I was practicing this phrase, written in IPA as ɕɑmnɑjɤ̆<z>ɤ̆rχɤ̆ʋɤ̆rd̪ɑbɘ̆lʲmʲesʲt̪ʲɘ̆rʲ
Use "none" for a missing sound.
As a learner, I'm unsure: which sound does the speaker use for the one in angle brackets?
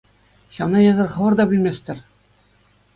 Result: z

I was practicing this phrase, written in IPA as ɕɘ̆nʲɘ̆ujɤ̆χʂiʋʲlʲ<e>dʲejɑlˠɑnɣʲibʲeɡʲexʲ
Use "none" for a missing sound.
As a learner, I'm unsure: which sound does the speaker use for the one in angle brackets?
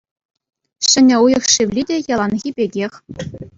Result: i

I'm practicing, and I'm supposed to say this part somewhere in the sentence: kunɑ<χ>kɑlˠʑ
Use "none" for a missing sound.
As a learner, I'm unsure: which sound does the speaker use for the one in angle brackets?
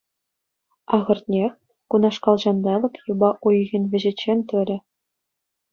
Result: ʂ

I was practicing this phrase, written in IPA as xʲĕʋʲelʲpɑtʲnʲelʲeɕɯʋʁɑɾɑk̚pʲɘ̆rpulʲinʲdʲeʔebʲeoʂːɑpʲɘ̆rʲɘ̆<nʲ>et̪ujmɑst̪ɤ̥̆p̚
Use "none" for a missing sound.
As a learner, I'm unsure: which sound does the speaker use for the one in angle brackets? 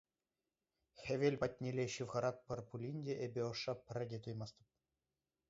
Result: dʲ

